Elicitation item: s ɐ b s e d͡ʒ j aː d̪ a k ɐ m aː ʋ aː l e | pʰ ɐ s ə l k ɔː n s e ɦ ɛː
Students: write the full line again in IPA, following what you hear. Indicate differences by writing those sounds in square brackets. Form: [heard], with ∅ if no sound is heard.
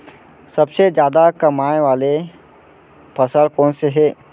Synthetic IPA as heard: s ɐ b s e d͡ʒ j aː d̪ a k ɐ m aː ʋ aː l e | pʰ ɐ s ə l k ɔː n s e ɦ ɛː